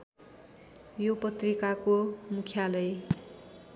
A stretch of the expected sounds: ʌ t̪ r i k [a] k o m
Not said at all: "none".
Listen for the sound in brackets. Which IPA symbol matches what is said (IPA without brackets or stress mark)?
a